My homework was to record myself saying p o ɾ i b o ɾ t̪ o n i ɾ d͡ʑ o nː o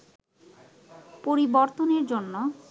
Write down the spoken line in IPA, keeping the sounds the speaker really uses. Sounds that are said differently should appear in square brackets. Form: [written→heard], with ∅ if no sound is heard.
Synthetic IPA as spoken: p o ɾ i b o ɾ t̪ o n [i→e] ɾ d͡ʑ o nː o